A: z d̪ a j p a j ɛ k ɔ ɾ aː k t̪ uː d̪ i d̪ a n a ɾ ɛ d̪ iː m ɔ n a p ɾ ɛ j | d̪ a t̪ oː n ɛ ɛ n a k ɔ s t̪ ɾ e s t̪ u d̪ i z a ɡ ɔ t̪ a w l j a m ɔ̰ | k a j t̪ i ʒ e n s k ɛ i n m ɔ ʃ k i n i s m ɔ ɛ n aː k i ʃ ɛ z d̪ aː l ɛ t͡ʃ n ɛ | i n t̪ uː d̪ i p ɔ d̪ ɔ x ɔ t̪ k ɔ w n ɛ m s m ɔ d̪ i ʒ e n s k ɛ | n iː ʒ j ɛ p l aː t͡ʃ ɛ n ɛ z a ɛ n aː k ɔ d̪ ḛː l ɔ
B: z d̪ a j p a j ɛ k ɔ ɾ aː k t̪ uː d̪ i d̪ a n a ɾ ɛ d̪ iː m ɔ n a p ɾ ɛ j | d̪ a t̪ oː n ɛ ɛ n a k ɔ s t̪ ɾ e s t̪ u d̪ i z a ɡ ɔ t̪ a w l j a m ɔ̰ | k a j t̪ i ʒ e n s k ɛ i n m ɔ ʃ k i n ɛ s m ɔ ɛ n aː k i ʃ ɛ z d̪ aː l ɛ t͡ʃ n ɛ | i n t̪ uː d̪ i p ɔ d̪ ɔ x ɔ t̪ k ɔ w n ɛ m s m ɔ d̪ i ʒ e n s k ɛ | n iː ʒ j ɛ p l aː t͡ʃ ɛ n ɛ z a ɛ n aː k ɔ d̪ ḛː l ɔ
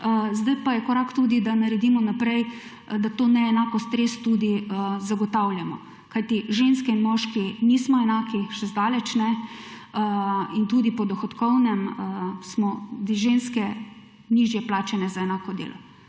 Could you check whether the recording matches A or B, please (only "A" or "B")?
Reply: A